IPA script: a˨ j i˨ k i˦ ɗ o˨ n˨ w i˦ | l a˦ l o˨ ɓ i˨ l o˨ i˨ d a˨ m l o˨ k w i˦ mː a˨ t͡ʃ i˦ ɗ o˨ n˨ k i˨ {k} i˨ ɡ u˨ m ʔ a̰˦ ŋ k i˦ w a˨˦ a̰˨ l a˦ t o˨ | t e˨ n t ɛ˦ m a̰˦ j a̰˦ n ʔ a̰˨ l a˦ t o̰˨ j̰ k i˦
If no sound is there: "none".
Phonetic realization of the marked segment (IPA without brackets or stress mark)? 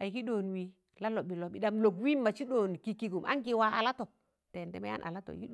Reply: k